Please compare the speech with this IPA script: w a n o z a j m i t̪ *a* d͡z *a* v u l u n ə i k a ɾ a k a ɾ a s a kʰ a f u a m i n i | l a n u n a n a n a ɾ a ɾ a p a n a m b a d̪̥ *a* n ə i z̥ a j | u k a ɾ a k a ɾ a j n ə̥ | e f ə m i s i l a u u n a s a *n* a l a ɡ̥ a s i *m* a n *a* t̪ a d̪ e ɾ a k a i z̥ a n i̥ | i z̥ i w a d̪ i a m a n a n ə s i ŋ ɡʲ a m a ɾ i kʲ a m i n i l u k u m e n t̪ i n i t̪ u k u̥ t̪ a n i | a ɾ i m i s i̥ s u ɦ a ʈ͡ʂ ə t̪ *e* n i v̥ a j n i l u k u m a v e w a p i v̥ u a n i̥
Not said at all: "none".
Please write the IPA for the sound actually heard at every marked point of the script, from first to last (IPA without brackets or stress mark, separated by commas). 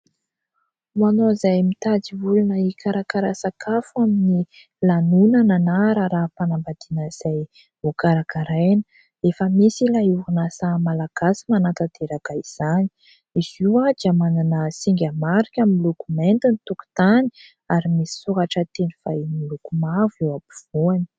a, i, i, m, m, a, e